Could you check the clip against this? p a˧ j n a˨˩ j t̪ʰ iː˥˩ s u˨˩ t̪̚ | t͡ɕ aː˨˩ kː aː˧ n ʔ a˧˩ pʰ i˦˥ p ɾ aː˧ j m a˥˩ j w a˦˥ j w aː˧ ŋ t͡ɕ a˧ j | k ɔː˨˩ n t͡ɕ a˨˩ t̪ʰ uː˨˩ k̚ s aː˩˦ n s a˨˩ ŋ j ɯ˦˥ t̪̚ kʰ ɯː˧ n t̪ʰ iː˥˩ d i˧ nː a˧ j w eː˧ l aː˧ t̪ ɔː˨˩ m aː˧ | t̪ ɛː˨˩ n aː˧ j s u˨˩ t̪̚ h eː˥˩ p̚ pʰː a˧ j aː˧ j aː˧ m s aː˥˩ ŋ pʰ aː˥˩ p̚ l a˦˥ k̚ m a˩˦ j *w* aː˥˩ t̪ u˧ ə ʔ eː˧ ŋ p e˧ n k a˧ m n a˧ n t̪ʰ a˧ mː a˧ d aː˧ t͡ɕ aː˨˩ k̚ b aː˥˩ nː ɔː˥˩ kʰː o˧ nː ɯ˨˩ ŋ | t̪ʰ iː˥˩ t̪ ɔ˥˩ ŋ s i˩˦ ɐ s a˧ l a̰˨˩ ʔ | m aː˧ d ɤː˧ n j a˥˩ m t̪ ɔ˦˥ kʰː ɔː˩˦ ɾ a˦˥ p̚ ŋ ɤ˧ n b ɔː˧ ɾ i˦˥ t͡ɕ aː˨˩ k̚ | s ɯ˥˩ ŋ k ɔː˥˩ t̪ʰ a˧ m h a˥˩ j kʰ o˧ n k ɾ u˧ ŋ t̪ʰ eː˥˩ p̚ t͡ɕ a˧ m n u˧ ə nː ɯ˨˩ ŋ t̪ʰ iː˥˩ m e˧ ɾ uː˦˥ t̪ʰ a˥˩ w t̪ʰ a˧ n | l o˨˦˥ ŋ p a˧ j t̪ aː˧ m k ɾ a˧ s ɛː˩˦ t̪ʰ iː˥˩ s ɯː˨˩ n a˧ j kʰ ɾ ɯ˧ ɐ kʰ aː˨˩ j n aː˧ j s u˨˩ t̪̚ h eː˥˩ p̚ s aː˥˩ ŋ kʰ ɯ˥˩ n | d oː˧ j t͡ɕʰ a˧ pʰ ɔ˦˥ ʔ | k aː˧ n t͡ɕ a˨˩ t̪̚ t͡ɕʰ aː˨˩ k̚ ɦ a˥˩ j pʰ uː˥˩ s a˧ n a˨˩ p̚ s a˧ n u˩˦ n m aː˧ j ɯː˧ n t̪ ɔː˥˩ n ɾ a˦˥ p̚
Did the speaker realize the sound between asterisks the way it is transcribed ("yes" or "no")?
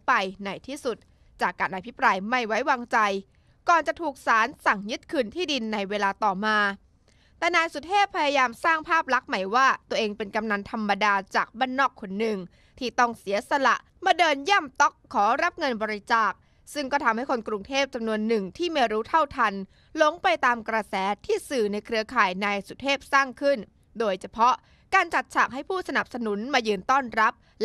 yes